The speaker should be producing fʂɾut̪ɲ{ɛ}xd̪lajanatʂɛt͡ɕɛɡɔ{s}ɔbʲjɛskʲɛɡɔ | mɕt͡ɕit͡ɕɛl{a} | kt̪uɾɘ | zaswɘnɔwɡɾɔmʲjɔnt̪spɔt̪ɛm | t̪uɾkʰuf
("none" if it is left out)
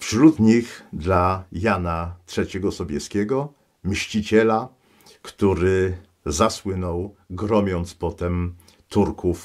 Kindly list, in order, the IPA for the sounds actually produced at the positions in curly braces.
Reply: i, s, a

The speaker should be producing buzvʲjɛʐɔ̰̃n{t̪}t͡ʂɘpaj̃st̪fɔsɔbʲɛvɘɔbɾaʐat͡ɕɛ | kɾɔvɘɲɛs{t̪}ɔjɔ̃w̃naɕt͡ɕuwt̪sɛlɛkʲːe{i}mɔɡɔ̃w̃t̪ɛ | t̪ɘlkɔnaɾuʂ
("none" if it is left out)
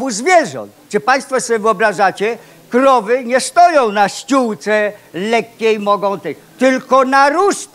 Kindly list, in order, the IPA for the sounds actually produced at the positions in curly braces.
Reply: t̪, t̪, j

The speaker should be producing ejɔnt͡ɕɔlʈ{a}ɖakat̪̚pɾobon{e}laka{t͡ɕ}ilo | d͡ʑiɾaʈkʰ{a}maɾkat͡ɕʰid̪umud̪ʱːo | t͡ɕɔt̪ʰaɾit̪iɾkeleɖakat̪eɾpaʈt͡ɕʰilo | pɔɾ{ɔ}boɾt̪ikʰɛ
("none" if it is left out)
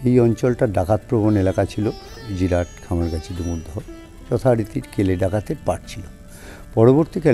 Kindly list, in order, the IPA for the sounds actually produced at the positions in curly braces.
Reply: a, e, t͡ɕʰ, a, o

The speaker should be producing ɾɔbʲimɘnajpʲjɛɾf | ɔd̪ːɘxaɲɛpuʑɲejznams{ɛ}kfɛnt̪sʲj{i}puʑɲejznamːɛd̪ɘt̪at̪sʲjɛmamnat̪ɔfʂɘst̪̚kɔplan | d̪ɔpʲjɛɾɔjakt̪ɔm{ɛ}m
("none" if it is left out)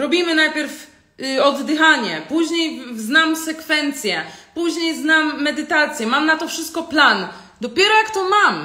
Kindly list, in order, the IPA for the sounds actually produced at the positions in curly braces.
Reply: ɛ, ɛ, a

